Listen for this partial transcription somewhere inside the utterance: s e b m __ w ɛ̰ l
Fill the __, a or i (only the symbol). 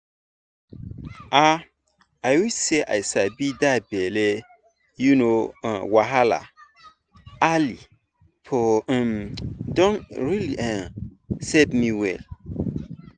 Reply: i